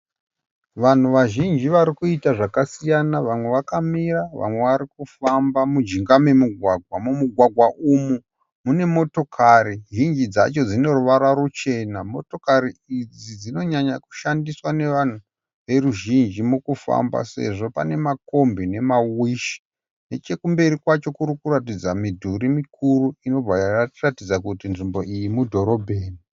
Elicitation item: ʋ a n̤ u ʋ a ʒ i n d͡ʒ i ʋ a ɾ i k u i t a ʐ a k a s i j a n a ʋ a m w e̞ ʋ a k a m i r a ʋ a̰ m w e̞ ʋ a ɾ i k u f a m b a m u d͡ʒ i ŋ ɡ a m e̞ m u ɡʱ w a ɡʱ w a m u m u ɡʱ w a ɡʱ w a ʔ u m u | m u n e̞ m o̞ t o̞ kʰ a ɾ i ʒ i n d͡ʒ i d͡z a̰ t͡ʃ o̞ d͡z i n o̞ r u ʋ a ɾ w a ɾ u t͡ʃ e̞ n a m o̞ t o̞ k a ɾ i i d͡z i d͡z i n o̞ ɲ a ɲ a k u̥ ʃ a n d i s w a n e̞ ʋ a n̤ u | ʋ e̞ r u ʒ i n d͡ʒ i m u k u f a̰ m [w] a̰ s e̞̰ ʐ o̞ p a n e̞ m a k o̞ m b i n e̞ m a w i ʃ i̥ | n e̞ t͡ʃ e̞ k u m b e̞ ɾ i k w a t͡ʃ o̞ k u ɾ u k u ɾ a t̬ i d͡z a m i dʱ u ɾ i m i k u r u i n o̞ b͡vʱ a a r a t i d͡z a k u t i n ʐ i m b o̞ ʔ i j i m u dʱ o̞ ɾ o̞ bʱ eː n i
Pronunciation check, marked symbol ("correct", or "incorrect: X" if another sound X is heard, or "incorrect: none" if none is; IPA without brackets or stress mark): incorrect: b